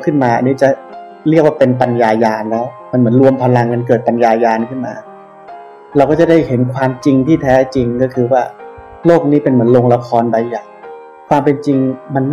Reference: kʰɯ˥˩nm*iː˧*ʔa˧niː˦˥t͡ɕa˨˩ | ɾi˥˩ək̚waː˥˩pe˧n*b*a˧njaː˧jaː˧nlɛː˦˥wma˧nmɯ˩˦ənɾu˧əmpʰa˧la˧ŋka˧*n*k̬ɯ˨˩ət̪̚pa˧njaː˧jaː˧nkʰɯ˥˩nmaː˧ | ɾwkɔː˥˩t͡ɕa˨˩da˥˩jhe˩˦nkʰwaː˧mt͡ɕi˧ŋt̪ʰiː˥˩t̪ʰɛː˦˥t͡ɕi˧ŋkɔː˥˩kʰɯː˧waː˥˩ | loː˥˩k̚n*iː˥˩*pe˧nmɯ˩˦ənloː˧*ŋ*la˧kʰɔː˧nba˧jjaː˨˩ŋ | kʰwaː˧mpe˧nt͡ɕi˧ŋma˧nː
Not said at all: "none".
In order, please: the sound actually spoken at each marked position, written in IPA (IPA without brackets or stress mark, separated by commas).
aː˧, p, n, iː˦˥, ŋ